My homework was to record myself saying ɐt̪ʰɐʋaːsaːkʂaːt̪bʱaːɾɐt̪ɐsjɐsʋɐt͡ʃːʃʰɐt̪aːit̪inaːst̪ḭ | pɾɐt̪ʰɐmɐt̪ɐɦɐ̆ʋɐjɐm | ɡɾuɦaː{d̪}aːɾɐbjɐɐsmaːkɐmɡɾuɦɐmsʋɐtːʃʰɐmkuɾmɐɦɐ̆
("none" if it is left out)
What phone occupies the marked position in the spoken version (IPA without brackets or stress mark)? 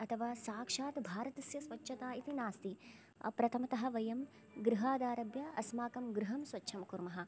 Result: d̪